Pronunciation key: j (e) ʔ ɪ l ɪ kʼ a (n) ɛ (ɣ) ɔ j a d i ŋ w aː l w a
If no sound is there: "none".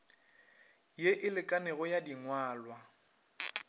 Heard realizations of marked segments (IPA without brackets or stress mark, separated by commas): e, n, ɣ